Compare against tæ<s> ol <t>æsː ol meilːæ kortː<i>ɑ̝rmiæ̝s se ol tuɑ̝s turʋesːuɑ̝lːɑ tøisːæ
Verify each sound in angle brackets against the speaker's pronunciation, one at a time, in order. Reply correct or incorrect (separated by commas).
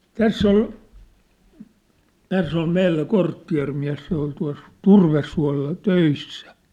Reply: incorrect, correct, correct